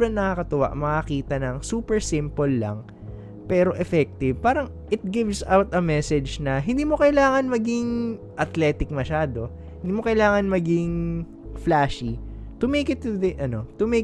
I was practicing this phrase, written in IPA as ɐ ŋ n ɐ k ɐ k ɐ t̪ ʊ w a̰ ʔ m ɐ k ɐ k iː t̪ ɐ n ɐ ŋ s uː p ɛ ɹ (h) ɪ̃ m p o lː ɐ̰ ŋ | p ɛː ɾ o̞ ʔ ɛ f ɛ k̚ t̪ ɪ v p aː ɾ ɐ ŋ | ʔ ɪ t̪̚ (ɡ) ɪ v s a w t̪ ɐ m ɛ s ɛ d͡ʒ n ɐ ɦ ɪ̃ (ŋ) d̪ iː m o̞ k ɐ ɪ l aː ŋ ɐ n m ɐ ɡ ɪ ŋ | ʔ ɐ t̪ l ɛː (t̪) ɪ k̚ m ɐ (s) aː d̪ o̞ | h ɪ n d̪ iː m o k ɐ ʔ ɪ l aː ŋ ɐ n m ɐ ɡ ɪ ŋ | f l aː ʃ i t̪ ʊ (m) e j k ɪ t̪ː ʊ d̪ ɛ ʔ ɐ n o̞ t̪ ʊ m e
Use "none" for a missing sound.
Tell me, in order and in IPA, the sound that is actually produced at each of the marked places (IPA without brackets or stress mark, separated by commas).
s, ɡ, n, t̪, ʃ, m